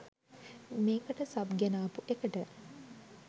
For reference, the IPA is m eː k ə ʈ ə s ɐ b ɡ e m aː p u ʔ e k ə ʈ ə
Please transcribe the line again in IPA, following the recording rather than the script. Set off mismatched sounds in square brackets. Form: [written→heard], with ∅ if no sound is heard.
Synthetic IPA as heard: m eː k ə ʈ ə s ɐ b ɡ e [m→n] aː p u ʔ e k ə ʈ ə